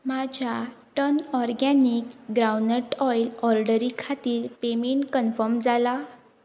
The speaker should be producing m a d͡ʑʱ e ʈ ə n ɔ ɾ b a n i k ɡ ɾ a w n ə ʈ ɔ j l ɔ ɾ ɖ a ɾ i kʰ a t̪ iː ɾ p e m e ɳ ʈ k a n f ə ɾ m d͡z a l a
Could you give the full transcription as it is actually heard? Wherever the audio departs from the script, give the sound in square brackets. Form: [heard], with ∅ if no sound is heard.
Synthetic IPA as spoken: m a d͡ʑʱ [a] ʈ ə n ɔ ɾ [ɡ] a n i k ɡ ɾ a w n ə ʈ ɔ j l ɔ ɾ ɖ [ə] ɾ i kʰ a t̪ iː ɾ p e m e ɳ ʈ k [ə] n f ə ɾ m d͡z a l a